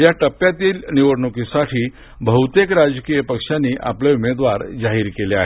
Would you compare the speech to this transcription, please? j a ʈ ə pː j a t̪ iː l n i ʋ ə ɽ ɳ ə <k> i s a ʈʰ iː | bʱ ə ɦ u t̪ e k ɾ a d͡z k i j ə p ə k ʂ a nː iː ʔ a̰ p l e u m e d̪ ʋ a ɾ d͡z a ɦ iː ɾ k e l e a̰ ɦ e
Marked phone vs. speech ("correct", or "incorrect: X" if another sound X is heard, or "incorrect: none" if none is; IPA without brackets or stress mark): correct